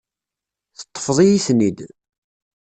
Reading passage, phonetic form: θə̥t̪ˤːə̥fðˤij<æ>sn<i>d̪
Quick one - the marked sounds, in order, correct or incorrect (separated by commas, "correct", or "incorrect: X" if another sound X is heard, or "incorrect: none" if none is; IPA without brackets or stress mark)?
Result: incorrect: i, correct